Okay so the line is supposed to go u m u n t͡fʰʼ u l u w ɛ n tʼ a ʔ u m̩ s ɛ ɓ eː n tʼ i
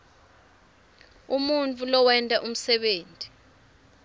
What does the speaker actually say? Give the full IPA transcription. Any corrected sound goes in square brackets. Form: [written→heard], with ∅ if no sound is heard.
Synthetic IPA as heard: u m u n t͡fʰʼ u l [u→ɔ] w ɛ n tʼ a ʔ u m̩ s ɛ ɓ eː n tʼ i